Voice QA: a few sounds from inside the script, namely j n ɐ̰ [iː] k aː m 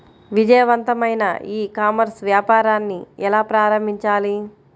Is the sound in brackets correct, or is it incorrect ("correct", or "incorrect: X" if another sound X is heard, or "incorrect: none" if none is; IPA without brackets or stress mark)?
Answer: correct